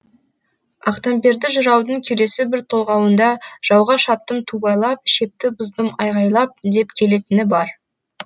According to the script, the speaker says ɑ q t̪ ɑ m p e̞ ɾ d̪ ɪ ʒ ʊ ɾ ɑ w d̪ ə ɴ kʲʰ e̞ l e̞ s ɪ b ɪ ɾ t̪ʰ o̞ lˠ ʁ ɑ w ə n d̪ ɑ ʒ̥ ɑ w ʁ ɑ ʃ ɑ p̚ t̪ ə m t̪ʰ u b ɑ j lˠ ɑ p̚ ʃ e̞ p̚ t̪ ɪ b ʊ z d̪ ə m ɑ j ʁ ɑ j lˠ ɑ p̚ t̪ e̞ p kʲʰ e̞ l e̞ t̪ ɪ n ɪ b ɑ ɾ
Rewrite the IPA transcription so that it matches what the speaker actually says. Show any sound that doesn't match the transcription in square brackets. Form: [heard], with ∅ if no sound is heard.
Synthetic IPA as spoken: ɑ q t̪ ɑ m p e̞ ɾ d̪ ɪ ʒ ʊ ɾ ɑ w d̪ ə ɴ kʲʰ e̞ l e̞ s ɪ b ɪ ɾ t̪ʰ o̞ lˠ ʁ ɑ w ə n d̪ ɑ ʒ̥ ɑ w ʁ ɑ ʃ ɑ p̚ t̪ ə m t̪ʰ u b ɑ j lˠ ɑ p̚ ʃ e̞ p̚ t̪ ɪ b ʊ z d̪ ə m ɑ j ʁ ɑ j lˠ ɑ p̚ [d̪] e̞ p kʲʰ e̞ l e̞ t̪ ɪ n ɪ b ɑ ɾ